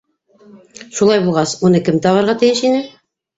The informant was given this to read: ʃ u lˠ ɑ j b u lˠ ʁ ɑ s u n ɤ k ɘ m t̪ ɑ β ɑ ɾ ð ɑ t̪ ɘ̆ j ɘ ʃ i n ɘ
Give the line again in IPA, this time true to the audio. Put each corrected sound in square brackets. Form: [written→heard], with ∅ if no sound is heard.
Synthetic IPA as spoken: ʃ u lˠ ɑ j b u lˠ ʁ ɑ s u n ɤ k ɘ m t̪ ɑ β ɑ ɾ [ð→ʁ] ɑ t̪ ɘ̆ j ɘ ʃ i n ɘ